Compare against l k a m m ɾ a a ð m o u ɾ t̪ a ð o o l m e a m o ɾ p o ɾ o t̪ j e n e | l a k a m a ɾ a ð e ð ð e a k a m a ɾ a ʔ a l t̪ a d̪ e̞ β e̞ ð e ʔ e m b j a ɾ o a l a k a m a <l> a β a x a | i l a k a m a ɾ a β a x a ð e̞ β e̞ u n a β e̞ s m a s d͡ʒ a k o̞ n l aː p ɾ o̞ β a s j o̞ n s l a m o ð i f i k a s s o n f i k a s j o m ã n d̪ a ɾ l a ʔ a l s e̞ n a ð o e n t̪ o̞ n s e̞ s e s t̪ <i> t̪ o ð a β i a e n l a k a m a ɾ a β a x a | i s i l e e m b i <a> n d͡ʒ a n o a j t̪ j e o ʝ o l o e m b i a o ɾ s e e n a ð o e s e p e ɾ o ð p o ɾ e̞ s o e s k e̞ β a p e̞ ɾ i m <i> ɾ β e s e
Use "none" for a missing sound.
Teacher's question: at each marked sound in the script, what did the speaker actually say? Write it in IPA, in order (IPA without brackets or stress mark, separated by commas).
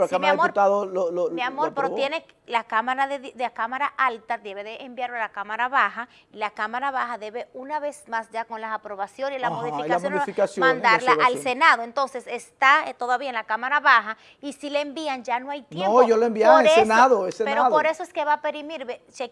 ɾ, a, a, i